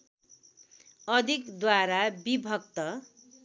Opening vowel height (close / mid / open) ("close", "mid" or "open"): mid